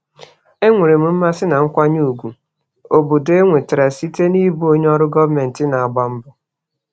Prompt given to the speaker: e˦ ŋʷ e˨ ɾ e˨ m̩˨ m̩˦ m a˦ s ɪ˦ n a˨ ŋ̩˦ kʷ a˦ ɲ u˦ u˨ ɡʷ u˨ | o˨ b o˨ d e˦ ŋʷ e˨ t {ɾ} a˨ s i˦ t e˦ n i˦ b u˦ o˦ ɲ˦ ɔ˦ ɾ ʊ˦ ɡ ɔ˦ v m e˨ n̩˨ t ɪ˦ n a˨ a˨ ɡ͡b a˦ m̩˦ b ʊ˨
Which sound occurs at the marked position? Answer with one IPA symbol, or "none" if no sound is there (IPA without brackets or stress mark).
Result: ɾ